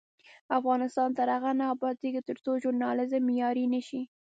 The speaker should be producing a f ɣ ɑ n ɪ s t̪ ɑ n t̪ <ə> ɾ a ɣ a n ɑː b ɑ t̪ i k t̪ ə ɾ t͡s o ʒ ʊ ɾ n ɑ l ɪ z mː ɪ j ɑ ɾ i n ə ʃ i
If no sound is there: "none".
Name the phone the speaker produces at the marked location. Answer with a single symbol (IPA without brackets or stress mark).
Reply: a